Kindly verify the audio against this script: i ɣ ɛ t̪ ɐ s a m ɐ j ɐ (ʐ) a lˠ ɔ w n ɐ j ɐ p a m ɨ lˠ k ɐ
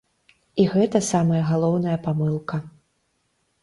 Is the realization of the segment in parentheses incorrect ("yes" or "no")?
yes